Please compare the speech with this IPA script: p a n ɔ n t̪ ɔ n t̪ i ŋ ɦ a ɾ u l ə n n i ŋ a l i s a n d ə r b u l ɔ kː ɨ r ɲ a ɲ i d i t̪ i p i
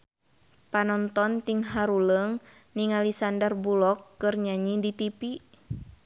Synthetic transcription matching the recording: p a n ɔ n t̪ ɔ n t̪ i ŋ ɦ a ɾ u l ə ŋ n i ŋ a l i s a n d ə r b u l ɔ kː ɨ r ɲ a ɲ i d i t̪ i p i